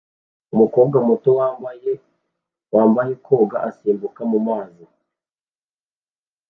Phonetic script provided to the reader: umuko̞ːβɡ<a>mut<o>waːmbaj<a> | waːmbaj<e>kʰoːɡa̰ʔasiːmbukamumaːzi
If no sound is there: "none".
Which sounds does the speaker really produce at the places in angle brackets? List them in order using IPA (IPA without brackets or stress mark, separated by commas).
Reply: a, o, e, e